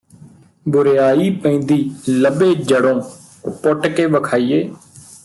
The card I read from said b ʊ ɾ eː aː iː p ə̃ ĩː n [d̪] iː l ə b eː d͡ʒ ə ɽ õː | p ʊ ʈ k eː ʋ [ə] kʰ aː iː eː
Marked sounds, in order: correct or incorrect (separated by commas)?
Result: correct, correct